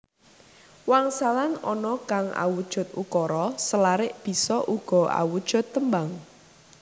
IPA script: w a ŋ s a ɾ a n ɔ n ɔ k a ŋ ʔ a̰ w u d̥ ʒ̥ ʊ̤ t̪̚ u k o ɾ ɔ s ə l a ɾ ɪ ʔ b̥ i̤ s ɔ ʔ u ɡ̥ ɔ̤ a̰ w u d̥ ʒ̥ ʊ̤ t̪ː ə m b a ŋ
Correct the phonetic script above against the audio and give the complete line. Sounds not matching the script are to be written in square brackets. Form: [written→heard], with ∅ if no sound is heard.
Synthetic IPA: w a ŋ s a [ɾ→l] a n ɔ n ɔ k a ŋ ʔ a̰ w u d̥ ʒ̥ ʊ̤ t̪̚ u k [o→ɔ] ɾ ɔ s ə l a ɾ ɪ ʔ b̥ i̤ s ɔ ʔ u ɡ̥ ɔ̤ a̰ w u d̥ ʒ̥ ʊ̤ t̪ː ə m b a ŋ